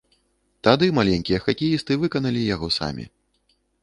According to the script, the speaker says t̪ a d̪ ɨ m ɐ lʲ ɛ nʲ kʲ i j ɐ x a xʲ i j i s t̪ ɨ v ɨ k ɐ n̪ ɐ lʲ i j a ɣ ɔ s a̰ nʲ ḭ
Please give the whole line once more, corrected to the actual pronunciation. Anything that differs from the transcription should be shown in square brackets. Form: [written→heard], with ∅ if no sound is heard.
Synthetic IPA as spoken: t̪ a d̪ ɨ m [ɐ→a] lʲ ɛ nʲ kʲ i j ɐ x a [xʲ→kʲ] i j i s t̪ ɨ v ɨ k ɐ n̪ ɐ lʲ i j a ɣ ɔ s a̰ [nʲ→mʲ] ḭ

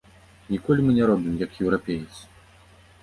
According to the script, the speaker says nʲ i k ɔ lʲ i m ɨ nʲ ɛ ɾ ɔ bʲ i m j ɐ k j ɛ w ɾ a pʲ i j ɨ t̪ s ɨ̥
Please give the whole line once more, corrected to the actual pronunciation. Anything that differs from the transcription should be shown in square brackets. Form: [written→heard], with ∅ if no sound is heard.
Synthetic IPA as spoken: nʲ i k ɔ lʲ i m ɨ nʲ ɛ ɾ ɔ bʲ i m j ɐ k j ɛ w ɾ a pʲ [i→e] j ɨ t̪ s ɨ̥

